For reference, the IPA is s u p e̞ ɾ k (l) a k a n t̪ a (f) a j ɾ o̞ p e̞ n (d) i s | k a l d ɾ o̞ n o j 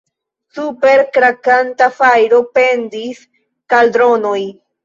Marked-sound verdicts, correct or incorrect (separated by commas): incorrect, correct, correct